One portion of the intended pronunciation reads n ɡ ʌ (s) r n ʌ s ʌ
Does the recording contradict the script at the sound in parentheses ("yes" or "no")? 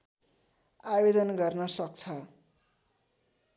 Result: yes